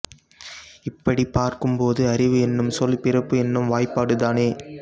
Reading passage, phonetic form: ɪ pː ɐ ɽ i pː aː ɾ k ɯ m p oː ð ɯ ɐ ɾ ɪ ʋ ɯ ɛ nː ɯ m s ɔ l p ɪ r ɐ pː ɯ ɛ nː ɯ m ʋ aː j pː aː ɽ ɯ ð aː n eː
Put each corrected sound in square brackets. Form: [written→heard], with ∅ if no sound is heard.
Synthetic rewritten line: ɪ pː ɐ ɽ i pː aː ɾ k ɯ m p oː ð ɯ ɐ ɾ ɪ ʋ ɯ ɛ nː ɯ m s ɔ l p ɪ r ɐ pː ɯ ɛ nː ɯ m ʋ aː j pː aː ɽ ɯ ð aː n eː